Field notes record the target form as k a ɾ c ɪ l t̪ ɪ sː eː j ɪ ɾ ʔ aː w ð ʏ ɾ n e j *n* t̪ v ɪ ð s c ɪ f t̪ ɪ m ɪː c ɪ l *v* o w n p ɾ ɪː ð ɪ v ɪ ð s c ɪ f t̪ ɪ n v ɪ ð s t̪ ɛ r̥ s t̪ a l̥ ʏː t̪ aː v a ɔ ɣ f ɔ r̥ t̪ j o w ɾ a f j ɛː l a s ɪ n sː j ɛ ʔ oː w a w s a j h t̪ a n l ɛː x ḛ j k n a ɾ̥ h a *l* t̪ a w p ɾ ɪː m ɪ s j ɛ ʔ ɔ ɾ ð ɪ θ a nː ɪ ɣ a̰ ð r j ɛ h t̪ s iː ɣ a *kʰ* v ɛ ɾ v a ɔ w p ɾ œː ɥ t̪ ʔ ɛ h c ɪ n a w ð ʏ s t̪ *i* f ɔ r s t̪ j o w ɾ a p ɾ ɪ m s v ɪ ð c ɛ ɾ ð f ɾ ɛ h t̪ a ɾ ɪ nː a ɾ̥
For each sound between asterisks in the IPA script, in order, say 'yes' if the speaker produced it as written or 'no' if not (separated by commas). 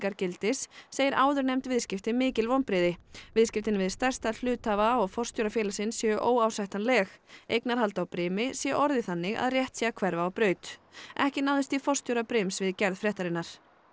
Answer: no, yes, yes, yes, yes